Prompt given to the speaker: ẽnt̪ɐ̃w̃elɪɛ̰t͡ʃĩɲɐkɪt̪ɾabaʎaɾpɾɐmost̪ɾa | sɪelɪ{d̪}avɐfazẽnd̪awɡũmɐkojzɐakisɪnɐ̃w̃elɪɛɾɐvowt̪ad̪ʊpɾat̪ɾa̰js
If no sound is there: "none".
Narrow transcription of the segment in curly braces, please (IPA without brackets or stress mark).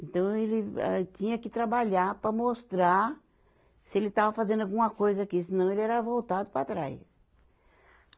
t̪